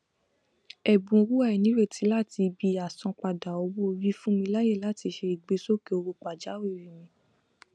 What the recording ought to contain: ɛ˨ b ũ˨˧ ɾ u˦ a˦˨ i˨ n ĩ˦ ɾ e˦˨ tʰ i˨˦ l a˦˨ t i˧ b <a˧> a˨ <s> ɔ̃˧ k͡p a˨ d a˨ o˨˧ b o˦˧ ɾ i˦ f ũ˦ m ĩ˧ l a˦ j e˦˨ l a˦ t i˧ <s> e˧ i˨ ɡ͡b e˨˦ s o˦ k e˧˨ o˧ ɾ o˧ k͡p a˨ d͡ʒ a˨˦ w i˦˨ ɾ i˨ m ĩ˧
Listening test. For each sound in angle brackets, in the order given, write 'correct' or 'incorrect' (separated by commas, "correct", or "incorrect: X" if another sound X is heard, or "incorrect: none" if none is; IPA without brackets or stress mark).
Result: incorrect: i˧, correct, incorrect: ʃ